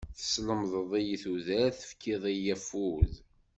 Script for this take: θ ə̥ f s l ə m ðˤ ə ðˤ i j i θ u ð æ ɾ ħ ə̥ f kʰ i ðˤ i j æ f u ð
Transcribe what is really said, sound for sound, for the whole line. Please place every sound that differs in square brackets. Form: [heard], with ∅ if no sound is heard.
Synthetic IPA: θ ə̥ [∅] s l ə m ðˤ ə ðˤ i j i θ u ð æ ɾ [θ] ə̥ f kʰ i ðˤ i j æ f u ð